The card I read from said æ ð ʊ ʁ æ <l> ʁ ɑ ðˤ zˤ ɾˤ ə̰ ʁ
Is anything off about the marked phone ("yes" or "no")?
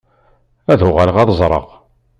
no